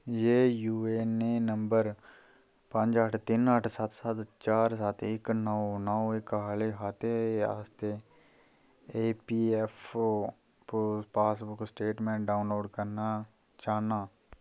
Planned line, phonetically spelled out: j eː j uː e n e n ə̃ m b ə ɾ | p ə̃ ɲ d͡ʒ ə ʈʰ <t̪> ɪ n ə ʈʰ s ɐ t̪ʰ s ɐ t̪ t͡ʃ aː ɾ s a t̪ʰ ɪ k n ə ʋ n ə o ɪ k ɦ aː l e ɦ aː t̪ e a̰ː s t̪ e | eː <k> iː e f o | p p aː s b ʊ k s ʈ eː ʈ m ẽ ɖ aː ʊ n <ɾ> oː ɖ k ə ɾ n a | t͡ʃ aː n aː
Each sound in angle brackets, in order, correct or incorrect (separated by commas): correct, incorrect, incorrect